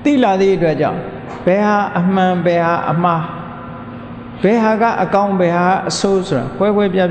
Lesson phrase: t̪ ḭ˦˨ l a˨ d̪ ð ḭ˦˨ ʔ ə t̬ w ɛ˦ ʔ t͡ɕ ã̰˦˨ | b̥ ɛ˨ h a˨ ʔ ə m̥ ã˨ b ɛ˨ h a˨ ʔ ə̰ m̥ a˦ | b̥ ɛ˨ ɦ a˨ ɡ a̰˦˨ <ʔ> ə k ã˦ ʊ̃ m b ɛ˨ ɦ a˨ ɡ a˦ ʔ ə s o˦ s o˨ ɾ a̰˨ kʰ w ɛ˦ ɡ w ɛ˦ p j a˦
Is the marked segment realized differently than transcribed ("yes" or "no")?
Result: no